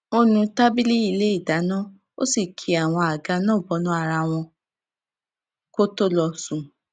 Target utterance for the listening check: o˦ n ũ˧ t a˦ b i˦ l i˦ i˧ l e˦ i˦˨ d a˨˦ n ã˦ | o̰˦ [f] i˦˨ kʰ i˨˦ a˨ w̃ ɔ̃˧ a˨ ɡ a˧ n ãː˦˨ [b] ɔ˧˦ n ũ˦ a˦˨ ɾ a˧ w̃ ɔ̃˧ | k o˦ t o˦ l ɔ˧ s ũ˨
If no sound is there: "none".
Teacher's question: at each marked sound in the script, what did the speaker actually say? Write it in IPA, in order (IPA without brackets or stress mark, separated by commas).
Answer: s, b